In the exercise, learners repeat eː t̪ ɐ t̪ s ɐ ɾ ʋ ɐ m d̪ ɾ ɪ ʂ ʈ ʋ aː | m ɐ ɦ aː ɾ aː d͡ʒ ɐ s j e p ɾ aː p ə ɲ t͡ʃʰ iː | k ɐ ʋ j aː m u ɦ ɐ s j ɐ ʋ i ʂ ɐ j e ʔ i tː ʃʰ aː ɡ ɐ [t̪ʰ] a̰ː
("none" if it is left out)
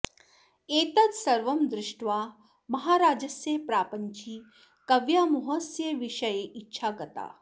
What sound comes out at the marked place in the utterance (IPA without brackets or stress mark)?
t̪